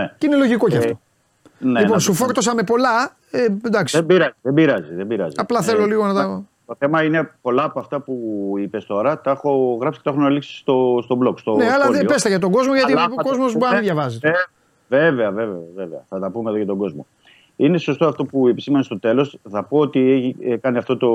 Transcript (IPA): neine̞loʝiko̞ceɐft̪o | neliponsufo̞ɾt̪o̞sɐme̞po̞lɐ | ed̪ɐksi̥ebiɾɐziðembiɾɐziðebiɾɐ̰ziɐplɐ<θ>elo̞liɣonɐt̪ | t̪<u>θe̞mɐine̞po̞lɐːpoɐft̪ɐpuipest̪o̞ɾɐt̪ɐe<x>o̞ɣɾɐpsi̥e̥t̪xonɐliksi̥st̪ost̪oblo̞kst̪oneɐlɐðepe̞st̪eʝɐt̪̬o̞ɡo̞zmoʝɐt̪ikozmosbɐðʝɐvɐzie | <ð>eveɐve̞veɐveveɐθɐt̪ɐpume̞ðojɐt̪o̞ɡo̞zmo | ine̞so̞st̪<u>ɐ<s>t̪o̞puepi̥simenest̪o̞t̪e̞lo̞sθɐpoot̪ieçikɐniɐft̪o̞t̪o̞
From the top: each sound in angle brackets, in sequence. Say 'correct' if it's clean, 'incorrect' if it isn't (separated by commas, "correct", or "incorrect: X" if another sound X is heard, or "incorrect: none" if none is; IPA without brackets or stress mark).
correct, incorrect: o, correct, incorrect: v, incorrect: o, incorrect: f